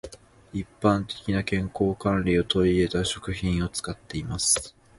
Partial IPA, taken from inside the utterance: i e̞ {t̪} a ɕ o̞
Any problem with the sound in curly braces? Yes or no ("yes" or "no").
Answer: no